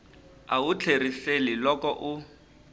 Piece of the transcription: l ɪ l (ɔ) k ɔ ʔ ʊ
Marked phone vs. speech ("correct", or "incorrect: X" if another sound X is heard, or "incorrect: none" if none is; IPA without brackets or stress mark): correct